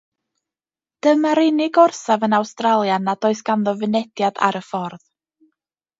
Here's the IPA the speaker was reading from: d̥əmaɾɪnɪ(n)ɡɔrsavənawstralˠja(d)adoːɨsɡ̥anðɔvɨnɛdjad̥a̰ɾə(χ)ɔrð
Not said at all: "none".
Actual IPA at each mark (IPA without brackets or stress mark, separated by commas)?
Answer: none, n, f